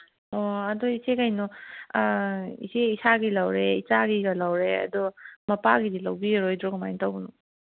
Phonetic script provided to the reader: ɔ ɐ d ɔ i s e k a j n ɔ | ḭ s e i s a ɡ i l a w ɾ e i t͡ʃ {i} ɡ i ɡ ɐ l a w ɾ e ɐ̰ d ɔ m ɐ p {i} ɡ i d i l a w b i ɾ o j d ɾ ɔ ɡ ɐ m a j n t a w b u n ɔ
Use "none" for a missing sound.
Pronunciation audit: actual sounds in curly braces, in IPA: a, a

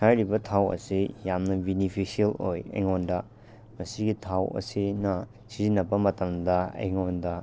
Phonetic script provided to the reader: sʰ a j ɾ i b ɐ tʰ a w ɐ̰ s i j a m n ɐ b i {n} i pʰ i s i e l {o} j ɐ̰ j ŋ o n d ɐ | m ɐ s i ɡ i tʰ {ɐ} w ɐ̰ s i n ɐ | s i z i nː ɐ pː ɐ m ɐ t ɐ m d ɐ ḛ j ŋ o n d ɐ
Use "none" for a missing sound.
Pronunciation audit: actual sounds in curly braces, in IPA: n, o, a

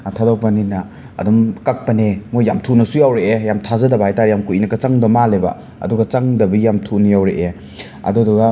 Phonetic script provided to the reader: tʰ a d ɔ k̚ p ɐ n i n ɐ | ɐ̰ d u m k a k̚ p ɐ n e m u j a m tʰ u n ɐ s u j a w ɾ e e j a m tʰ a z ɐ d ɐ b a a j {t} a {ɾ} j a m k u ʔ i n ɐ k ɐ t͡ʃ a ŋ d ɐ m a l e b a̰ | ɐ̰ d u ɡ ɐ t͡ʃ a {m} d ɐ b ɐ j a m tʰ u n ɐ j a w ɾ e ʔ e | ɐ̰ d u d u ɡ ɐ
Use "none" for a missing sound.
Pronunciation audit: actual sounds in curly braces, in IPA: t, ɾ, ŋ

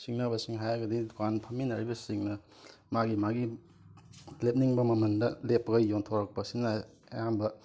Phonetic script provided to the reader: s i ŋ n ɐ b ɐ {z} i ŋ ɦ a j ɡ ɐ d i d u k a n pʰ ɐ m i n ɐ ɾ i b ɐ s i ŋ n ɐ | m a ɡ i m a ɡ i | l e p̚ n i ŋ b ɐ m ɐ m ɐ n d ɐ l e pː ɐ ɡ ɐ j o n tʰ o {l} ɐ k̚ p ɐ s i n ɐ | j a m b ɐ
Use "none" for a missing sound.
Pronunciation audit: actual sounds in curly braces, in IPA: s, ɾ

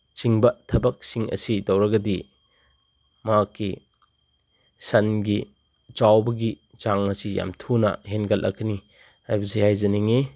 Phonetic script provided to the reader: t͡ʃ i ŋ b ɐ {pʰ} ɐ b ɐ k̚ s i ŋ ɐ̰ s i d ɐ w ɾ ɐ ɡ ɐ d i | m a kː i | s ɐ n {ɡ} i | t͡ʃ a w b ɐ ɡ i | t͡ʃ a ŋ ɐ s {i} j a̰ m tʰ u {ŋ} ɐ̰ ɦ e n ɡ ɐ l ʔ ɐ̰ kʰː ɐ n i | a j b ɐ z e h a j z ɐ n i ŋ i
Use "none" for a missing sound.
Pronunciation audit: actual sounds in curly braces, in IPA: tʰ, ɡ, i, n

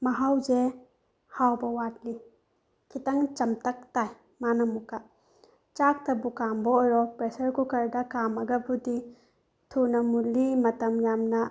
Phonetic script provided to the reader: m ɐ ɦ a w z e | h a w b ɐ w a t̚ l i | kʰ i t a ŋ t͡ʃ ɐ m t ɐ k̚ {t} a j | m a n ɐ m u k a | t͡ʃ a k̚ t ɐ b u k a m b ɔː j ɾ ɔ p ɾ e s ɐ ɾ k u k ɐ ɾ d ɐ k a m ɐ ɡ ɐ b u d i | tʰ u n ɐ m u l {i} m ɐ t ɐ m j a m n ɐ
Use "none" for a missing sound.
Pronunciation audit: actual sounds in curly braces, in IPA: t, i

